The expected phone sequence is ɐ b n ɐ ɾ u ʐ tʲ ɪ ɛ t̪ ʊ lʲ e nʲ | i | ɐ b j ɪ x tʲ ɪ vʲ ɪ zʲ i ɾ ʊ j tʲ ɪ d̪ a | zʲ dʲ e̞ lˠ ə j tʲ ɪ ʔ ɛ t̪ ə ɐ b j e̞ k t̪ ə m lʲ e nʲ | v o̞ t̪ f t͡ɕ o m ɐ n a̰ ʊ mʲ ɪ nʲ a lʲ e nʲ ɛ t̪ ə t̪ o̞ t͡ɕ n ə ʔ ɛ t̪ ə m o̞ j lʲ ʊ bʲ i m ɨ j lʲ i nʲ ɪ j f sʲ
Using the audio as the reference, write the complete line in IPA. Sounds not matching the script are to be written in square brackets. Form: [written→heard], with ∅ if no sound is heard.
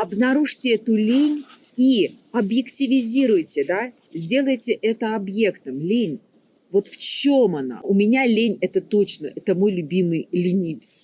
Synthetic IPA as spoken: ɐ b n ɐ ɾ u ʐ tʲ ɪ ɛ t̪ ʊ lʲ e nʲ | i | ɐ b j ɪ [x→k] tʲ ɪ vʲ ɪ zʲ i ɾ ʊ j tʲ ɪ d̪ a | zʲ dʲ e̞ lˠ ə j tʲ ɪ ʔ ɛ t̪ ə ɐ b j e̞ k t̪ ə m lʲ e nʲ | v o̞ t̪ f t͡ɕ o m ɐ n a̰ ʊ mʲ ɪ nʲ a lʲ e nʲ ɛ t̪ ə t̪ o̞ t͡ɕ n ə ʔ ɛ t̪ ə m o̞ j lʲ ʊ bʲ i m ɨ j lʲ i nʲ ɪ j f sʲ